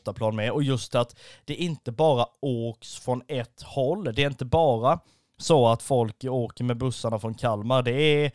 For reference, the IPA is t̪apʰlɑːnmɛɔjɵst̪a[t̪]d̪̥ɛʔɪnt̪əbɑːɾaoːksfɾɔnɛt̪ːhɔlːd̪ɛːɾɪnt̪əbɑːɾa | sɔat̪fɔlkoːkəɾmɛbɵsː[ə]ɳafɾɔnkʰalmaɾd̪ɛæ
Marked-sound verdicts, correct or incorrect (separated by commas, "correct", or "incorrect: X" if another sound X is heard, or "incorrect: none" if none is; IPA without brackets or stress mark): correct, incorrect: a